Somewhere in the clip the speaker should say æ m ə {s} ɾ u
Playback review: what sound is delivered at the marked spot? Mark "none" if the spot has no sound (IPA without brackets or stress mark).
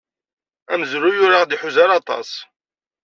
z